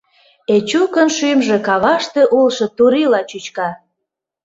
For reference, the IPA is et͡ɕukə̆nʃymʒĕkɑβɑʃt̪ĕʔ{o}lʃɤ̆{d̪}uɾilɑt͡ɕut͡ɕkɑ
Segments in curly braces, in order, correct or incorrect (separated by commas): incorrect, incorrect